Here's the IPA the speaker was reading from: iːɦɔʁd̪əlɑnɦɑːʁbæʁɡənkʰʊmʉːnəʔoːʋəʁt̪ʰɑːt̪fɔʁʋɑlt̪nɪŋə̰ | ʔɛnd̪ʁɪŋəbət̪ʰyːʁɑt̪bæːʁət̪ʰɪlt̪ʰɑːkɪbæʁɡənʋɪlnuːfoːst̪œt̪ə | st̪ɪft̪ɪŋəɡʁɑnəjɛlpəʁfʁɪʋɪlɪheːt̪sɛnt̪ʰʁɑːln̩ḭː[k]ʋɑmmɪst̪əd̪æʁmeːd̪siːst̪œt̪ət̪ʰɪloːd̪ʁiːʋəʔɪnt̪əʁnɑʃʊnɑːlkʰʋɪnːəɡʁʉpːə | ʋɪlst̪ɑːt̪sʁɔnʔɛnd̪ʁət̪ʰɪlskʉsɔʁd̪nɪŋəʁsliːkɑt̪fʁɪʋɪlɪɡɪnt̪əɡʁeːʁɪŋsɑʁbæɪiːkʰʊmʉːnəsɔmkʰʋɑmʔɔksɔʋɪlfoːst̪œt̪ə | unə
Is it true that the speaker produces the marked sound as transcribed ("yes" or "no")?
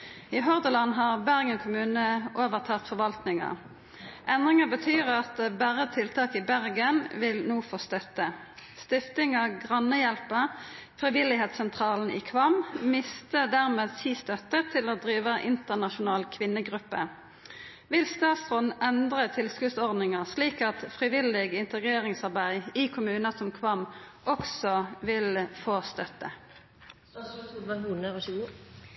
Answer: no